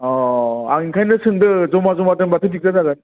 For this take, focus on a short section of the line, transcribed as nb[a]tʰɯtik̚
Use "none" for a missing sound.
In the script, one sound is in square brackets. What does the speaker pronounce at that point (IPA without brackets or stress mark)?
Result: a